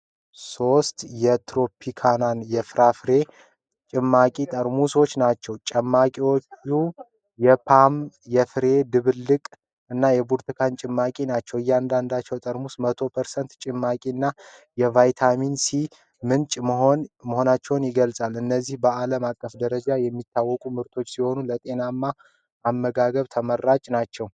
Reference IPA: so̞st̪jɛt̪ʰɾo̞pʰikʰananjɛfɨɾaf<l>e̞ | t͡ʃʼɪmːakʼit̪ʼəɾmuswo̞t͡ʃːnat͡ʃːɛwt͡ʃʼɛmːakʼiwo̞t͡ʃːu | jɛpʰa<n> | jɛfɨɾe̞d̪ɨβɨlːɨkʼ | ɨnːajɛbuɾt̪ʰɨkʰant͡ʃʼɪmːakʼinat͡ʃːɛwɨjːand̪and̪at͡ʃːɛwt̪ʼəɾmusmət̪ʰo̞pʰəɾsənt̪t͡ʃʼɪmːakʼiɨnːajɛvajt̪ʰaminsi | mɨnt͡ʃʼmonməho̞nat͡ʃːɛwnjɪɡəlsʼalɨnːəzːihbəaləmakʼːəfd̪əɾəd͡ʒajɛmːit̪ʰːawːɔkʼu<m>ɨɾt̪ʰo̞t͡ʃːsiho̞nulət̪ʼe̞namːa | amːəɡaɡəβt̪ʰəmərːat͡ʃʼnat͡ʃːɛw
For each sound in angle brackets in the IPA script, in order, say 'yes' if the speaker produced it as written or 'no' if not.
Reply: no, no, yes

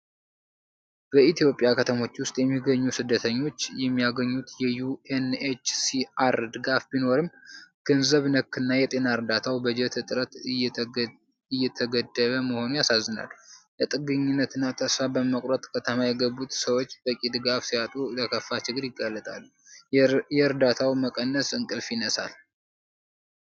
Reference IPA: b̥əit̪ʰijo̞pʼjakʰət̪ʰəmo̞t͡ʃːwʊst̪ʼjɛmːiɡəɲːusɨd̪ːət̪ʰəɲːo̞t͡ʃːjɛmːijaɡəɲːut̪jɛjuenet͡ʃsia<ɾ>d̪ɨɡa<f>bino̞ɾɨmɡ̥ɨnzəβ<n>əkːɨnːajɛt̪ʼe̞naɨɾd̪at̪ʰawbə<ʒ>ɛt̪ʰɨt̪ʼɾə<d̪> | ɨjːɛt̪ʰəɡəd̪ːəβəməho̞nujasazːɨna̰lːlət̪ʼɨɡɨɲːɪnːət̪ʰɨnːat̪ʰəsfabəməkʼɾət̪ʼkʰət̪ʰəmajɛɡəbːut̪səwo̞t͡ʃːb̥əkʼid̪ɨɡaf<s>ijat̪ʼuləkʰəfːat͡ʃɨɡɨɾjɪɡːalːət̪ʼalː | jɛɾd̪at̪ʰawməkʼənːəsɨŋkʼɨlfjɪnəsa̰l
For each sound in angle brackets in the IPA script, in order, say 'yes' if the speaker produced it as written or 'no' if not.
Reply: yes, yes, yes, no, no, yes

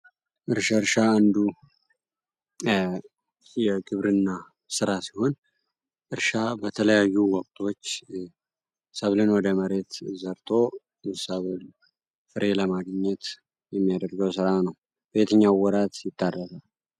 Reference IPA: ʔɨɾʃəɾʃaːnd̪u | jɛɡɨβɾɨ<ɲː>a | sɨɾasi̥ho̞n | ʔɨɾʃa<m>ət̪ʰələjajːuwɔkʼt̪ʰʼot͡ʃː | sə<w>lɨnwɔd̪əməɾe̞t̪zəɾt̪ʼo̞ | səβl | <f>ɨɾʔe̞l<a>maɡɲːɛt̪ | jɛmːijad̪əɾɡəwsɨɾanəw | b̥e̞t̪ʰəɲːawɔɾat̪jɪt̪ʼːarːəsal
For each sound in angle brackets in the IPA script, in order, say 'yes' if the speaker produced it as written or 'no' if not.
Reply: no, no, no, yes, no

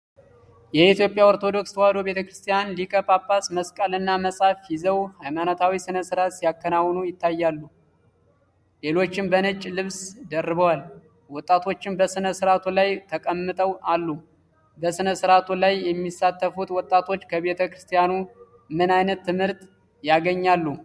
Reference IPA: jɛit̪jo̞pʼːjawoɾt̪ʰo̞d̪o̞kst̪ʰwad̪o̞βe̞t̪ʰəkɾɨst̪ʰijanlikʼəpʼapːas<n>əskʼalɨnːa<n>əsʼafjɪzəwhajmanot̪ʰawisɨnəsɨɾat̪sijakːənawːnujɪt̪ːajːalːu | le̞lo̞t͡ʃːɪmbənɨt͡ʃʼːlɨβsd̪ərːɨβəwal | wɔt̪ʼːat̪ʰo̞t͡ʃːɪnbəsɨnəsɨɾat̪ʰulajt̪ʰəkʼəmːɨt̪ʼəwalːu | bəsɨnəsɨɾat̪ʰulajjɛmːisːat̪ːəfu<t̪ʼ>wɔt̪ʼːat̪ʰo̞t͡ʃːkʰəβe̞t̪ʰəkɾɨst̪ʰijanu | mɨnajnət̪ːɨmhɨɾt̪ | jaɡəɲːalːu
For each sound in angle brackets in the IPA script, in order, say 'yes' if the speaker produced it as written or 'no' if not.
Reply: no, no, no

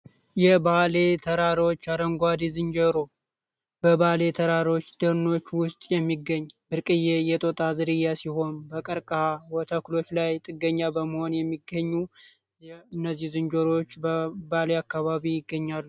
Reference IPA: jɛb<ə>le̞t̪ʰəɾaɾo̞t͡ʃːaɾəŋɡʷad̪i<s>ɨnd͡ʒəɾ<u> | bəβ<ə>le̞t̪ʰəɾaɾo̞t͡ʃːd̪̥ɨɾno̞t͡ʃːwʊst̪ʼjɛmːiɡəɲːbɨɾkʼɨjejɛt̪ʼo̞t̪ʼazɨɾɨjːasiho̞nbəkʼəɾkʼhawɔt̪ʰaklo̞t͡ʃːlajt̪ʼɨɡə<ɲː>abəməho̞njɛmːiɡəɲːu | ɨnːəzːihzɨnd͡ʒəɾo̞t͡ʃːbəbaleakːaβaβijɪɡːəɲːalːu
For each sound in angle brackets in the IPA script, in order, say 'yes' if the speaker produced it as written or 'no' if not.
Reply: no, no, no, no, yes

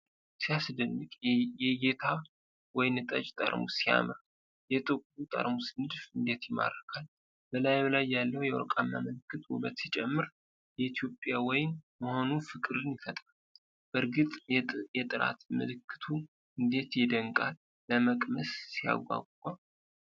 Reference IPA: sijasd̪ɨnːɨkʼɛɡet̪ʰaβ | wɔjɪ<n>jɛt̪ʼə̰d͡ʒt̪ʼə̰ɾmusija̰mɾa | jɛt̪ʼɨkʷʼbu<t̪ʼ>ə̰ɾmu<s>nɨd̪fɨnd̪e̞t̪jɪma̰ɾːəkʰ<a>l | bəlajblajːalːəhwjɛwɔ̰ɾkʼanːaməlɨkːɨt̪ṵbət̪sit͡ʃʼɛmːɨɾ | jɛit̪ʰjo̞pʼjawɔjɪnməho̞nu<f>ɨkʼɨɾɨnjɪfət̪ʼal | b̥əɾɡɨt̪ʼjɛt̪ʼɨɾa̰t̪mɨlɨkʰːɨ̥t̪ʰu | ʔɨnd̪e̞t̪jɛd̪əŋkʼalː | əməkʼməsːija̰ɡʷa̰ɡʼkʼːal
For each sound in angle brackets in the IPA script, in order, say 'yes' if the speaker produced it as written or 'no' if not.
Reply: yes, yes, yes, yes, yes

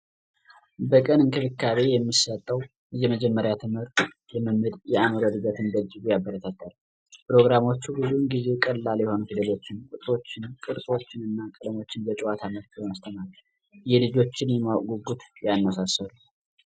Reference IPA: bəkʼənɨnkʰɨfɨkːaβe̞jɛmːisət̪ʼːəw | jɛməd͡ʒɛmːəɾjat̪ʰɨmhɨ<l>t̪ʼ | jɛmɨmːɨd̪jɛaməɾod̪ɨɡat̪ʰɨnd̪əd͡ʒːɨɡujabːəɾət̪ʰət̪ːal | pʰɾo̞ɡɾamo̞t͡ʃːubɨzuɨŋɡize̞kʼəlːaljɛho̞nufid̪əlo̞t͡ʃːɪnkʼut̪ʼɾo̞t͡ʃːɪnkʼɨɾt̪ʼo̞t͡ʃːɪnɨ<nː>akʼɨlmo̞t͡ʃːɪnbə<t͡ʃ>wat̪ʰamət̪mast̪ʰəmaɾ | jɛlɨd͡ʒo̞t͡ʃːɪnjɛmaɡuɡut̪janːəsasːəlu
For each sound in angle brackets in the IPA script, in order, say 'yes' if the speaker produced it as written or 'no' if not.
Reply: no, yes, no

